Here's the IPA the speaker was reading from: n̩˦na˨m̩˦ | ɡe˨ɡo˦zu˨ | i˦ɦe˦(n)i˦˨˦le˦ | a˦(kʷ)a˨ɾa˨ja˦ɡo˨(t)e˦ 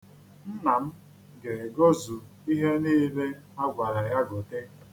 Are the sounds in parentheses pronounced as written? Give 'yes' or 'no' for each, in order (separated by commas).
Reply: yes, no, yes